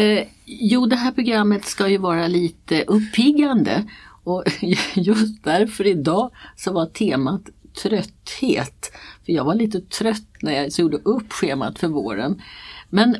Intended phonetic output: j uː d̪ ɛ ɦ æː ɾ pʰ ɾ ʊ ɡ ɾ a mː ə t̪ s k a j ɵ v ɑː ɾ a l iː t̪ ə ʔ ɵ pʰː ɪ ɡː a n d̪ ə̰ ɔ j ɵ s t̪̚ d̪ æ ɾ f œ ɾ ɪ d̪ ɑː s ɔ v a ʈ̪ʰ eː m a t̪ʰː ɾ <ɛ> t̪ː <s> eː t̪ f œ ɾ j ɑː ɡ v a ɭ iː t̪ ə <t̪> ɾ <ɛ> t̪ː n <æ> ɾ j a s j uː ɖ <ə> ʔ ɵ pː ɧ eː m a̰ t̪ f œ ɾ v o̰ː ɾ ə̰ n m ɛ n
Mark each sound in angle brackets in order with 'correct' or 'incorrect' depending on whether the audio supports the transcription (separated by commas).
incorrect, incorrect, incorrect, incorrect, correct, correct